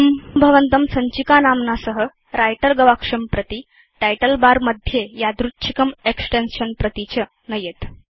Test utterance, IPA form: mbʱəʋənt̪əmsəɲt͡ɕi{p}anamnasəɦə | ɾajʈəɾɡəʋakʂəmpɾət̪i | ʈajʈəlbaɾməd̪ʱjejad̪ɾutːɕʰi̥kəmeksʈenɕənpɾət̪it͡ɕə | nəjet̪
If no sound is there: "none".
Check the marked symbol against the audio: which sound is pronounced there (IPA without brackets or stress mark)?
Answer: k